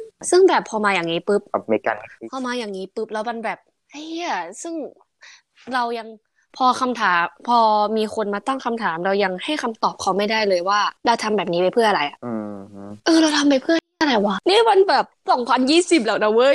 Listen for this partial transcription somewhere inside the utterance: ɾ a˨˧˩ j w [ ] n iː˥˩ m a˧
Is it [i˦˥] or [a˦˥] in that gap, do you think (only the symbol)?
a˦˥